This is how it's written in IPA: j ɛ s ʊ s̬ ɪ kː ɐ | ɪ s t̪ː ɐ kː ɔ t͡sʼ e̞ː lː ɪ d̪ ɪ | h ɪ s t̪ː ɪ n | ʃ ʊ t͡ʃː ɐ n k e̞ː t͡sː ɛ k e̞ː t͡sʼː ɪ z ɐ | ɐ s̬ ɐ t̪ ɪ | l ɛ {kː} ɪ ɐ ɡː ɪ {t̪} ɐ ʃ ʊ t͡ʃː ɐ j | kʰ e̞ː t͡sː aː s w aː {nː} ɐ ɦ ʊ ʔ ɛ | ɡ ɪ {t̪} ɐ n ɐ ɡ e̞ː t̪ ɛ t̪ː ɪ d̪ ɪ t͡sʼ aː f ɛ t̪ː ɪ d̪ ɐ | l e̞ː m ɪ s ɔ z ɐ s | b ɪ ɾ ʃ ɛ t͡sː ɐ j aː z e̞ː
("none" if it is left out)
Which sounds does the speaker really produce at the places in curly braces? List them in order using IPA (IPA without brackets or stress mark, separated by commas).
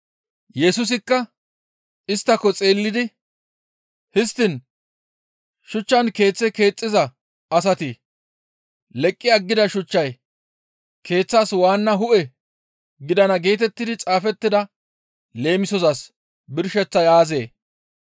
kʼː, d̪, nː, d̪